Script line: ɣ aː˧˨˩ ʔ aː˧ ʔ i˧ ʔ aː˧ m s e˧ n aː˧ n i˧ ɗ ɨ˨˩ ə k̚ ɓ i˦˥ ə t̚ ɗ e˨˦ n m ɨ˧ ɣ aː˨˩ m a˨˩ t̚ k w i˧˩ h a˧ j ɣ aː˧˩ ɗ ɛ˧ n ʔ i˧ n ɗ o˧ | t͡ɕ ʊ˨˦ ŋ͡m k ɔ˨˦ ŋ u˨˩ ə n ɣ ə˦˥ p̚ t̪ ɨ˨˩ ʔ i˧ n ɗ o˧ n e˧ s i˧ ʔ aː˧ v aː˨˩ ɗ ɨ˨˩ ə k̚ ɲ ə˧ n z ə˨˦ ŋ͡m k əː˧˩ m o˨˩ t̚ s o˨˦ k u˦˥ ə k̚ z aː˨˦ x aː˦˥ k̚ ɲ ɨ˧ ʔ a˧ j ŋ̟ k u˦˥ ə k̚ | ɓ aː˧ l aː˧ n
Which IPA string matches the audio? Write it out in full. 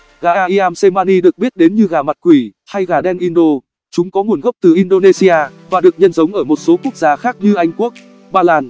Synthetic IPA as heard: ɣ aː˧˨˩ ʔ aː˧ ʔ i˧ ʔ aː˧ m s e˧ m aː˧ n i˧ ɗ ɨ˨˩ ə k̚ ɓ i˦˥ ə t̚ ɗ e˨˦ n ɲ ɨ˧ ɣ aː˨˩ m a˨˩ t̚ k w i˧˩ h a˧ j ɣ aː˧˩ ɗ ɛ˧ n ʔ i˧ n ɗ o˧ | t͡ɕ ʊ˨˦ ŋ͡m k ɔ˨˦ ŋ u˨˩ ə n ɣ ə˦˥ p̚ t̪ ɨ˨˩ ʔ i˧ n ɗ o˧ n e˧ s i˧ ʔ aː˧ v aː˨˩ ɗ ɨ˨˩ ə k̚ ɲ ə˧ n z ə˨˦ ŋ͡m ʔ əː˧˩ m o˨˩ t̚ s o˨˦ k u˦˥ ə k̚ z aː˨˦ x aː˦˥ k̚ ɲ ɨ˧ ʔ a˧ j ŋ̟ k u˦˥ ə k̚ | ɓ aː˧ l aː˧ n